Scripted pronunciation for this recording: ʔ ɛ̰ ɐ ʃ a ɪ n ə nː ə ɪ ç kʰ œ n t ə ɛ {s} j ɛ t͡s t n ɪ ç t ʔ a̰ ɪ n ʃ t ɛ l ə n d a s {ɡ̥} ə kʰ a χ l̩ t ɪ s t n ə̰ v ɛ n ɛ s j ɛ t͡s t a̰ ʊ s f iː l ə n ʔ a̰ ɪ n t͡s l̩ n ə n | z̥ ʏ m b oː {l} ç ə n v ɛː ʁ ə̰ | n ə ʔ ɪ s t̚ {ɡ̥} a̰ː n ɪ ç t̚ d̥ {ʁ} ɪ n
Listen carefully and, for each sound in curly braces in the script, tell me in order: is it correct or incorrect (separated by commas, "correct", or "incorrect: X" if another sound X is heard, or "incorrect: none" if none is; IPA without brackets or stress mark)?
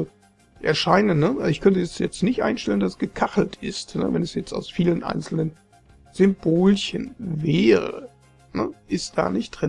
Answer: correct, correct, correct, incorrect: d̥, correct